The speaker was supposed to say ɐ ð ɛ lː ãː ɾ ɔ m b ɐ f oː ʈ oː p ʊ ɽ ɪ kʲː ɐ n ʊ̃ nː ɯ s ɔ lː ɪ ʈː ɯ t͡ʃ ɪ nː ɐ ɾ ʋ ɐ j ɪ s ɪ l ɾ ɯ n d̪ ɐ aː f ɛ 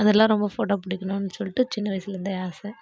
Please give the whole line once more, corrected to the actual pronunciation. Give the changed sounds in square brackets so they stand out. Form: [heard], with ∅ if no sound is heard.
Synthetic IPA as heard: ɐ ð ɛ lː ãː ɾ ɔ m b ɐ f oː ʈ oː p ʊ ɽ ɪ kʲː ɐ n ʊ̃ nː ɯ s ɔ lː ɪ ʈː ɯ t͡ʃ ɪ nː ɐ [∅] ʋ ɐ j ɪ s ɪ l ɾ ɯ n d̪ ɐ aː [s] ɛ